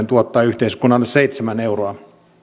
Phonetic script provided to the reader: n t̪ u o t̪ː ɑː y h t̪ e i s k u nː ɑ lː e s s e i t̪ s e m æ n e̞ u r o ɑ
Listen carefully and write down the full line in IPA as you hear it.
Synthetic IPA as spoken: n t̪ u o t̪ː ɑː y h t̪ e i s k u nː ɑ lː e s s e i t̪ s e m æ n e̞ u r o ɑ

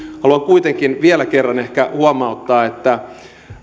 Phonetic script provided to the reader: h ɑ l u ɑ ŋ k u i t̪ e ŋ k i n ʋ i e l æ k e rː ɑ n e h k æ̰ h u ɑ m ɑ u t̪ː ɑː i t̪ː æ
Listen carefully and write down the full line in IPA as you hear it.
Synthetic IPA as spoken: h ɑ l u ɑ ŋ k u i t̪ e ŋ k i n ʋ i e l æ k e rː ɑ n e h k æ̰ h u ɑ m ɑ u t̪ː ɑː e t̪ː æ

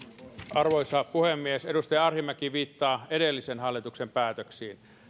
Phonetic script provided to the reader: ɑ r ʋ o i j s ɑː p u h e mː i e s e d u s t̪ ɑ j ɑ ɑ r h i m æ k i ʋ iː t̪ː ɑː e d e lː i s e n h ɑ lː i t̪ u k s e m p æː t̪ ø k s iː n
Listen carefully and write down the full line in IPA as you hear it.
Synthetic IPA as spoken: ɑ r ʋ o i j s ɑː p u h e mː i e s e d u s t̪ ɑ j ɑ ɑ r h i m æ k i ʋ iː t̪ː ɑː e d e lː i s e n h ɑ lː i t̪ u k s e m p æː t̪ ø k s iː n

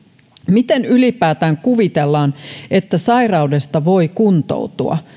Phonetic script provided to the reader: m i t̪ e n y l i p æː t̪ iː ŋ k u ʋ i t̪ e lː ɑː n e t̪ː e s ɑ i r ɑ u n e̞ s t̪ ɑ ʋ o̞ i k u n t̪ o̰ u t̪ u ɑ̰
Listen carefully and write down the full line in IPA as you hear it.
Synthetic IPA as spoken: m i t̪ e n y l i p æː t̪ æː ŋ k u ʋ i t̪ e lː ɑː n e t̪ː æ s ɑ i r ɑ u d e̞ s t̪ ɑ ʋ o̞ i k u n t̪ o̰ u t̪ u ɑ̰

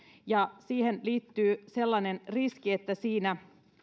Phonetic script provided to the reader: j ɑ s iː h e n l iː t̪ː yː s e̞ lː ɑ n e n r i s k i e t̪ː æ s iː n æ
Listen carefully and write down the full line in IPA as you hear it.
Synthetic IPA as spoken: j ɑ s iː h e n l iː t̪ː yː s e̞ lː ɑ n e n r i s k i e t̪ː æ s iː n æ

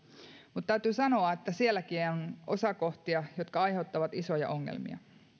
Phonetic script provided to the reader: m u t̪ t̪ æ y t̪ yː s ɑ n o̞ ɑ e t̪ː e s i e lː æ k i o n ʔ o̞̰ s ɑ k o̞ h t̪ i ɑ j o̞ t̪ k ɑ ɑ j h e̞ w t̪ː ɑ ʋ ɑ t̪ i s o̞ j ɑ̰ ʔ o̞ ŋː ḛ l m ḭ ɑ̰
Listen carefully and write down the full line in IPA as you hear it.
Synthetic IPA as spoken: m u t̪ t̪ æ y t̪ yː s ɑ n o̞ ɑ e t̪ː æ s i e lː æ k i o n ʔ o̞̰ s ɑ k o̞ h t̪ i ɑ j o̞ t̪ k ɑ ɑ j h e̞ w t̪ː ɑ ʋ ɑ t̪ i s o̞ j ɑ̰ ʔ o̞ ŋː ḛ l m ḭ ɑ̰

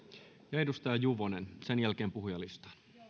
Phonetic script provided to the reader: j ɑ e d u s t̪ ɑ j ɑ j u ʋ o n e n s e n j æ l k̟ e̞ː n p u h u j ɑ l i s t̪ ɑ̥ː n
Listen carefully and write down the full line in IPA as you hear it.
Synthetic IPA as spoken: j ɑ e d u s t̪ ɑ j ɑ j u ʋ o n e n s e n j æ l k̟ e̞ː m p u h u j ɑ l i s t̪ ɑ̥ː n

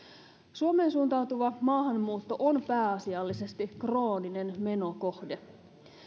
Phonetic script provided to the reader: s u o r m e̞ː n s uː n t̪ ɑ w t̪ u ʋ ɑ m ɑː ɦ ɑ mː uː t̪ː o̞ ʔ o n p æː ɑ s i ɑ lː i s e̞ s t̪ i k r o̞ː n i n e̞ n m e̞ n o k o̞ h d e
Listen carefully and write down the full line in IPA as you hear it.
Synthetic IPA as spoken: s u o m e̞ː n s uː n t̪ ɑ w t̪ u ʋ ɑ m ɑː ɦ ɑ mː uː t̪ː o̞ ʔ o n p æː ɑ s i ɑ lː i s e̞ s t̪ i k r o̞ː n i n e̞ n m e̞ n o k o̞ h d e

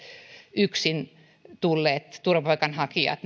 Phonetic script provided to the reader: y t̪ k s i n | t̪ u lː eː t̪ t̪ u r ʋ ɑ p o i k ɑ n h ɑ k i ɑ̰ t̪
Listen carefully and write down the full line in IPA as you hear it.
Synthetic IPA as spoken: y k s i n | t̪ u lː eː t̪ t̪ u r ʋ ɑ p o i k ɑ n h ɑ k i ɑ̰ t̪

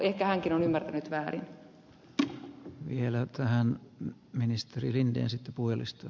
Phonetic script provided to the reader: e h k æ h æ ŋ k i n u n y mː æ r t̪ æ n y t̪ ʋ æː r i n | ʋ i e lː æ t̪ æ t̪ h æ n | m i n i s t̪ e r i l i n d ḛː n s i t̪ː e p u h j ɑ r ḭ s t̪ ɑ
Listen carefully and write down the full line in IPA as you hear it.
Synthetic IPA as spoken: e h k æ h æ ŋ k i n o n y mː æ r t̪ æ n y t̪ ʋ æː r i n | ʋ i e l æ t̪ æ h æ n | m i n i s t̪ e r i l i n d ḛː n s i t̪ː e p u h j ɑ l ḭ s t̪ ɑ

